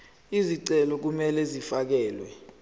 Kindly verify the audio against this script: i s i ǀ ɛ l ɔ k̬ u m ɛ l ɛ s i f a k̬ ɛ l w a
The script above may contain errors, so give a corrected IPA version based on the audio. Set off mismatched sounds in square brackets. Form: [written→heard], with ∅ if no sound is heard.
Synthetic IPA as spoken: i [s→z] i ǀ ɛ l ɔ k̬ u m ɛ l ɛ [s→z] i f a k̬ [ɛ→ɛː] l w [a→ɛ]